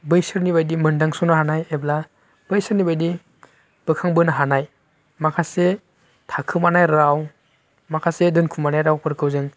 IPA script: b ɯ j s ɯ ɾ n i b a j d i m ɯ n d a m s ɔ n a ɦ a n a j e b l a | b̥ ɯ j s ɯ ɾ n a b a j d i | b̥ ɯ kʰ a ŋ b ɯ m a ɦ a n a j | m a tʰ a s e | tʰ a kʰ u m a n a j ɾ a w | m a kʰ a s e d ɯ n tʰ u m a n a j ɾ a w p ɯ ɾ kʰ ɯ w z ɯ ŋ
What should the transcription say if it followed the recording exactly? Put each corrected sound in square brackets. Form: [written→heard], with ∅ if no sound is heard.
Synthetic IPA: b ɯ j s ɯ ɾ n i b a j d i m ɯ n d a [m→ŋ] s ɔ n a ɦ a n a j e b l a | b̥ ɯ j s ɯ ɾ n [a→i] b a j d i | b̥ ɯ kʰ a ŋ b ɯ [m→n] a ɦ a n a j | m a [tʰ→kʰ] a s e | tʰ a kʰ [u→ɯ] m a n a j ɾ a w | m a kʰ a s e d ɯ n [tʰ→kʰ] u m a n a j ɾ a w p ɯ ɾ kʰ ɯ w z ɯ ŋ